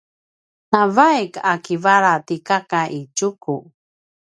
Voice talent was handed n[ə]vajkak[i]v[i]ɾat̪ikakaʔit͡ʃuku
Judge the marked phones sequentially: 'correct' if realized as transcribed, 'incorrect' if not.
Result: incorrect, correct, incorrect

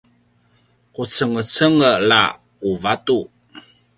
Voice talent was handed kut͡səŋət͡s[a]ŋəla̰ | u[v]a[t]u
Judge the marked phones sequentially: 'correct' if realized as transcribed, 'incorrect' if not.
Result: incorrect, correct, correct

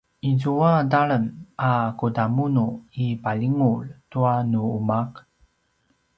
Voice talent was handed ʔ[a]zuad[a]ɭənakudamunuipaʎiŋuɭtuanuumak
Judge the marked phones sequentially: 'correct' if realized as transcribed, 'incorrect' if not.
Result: incorrect, correct

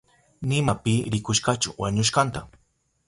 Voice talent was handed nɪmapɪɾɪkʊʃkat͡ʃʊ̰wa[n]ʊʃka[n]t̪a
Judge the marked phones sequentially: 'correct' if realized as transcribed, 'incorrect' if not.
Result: incorrect, correct

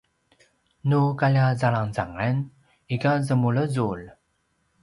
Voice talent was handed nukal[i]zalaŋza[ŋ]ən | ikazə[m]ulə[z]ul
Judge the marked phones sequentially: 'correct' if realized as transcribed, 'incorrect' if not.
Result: incorrect, correct, correct, correct

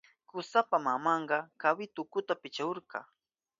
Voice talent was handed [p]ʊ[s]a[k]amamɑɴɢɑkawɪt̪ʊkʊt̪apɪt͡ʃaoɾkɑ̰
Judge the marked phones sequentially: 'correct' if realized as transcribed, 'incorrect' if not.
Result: incorrect, correct, incorrect

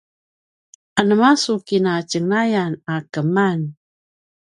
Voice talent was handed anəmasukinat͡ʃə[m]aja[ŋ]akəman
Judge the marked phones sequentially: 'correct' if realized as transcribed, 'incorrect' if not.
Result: incorrect, incorrect

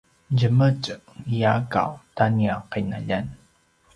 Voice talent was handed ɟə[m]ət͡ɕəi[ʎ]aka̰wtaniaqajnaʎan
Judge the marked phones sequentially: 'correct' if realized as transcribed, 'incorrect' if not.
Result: correct, incorrect

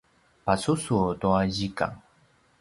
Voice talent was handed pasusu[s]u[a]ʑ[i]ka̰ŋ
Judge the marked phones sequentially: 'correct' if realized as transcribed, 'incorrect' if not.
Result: incorrect, correct, correct

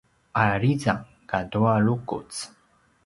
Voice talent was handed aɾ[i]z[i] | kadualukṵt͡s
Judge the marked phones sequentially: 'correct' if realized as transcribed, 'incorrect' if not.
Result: correct, incorrect

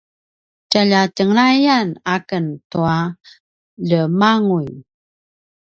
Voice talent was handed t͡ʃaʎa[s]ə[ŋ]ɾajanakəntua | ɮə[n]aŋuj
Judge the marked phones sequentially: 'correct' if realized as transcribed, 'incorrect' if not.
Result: incorrect, correct, incorrect

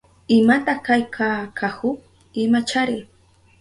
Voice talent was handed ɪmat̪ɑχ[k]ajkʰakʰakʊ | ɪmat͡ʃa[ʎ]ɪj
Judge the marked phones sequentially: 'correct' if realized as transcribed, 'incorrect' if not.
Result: correct, incorrect

